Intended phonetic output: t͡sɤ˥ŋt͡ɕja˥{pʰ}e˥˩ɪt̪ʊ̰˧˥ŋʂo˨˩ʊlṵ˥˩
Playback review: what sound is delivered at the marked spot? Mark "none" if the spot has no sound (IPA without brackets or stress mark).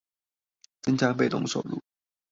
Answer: p